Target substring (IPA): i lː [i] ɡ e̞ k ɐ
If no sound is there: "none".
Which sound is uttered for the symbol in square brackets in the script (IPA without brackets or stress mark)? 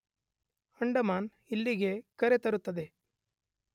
i